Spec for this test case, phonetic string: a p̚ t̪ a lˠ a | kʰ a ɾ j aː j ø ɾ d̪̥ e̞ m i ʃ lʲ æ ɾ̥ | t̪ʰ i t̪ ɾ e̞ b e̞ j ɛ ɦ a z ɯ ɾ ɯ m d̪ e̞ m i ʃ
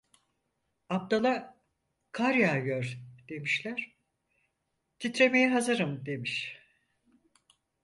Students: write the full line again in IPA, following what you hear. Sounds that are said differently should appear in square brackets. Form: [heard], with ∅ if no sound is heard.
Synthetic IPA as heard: a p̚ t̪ a lˠ a | kʰ a ɾ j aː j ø ɾ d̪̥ e̞ m i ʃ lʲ æ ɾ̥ | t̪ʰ i t̪ ɾ e̞ [m] e̞ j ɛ ɦ a z ɯ ɾ ɯ m d̪ e̞ m i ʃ